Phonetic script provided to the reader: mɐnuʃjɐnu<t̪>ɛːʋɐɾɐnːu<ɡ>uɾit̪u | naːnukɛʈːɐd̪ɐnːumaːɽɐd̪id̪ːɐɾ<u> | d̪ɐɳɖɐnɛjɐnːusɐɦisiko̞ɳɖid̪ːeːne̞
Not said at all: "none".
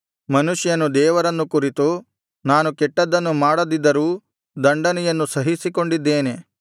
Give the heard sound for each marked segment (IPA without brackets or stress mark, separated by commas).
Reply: d̪, k, uː